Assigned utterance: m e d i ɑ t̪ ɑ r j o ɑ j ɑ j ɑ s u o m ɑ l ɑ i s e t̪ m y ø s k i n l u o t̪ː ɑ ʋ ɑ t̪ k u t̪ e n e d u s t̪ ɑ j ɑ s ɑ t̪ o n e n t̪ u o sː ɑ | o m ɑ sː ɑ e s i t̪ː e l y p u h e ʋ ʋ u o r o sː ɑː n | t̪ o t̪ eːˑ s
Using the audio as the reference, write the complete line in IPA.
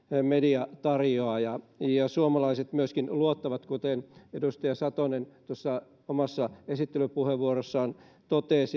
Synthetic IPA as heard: m e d i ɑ t̪ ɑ r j o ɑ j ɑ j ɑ s u o m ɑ l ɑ i s e t̪ m y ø s k i n l u o t̪ː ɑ ʋ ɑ t̪ k u t̪ e n e d u s t̪ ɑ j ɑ s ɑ t̪ o n e n t̪ u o sː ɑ | o m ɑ sː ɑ e s i t̪ː e l y p u h e ʋ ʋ u o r o sː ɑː n | t̪ o t̪ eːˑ s